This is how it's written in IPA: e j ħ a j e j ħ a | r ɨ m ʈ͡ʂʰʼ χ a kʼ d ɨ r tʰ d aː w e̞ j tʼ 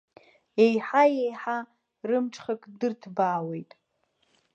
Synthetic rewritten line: e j ħ a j e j ħ a | r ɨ m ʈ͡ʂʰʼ χ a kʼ d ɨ r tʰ b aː w e̞ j tʼ